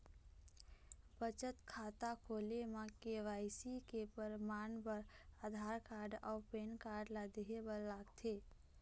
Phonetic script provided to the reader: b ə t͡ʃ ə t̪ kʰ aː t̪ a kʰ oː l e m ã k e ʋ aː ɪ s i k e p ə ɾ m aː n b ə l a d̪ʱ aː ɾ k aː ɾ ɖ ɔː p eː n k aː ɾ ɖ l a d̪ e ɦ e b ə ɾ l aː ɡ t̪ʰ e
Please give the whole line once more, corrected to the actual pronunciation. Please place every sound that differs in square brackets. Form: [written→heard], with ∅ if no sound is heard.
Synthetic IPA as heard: b ə t͡ʃ ə t̪ kʰ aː t̪ a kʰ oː l e m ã k e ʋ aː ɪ s i k e p ə ɾ m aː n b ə [l→ɾ] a d̪ʱ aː ɾ k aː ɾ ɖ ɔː p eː n k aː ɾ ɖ l a d̪ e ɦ e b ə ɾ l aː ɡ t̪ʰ e